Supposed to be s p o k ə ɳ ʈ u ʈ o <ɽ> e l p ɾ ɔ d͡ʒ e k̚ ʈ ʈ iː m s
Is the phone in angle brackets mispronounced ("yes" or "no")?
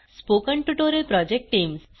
yes